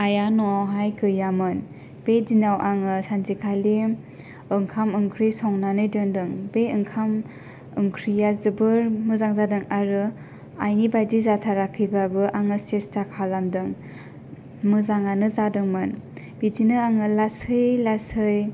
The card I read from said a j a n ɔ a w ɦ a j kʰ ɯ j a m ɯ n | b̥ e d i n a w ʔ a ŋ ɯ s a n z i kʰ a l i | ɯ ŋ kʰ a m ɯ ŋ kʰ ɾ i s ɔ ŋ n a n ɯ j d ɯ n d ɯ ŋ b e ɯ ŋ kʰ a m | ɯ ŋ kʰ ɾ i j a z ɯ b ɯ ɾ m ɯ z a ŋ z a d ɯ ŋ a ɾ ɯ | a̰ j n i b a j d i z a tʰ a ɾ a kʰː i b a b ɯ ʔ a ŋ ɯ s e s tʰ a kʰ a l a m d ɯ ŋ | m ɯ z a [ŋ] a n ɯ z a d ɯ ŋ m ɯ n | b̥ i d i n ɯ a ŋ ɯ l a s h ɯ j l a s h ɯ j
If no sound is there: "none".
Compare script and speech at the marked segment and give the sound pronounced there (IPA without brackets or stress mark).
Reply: ŋ